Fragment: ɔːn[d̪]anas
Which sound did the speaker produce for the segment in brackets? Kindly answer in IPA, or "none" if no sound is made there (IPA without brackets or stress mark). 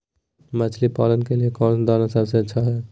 d̪